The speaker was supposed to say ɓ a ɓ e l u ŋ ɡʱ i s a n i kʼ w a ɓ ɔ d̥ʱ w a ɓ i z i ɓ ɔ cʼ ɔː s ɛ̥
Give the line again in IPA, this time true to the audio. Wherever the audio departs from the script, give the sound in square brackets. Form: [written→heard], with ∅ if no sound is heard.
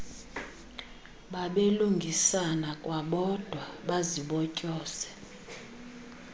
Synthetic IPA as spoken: ɓ a ɓ e l u ŋ ɡʱ i s a n [i→a] kʼ w a ɓ ɔ d̥ʱ w a ɓ [i→a] z i ɓ ɔ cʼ ɔː s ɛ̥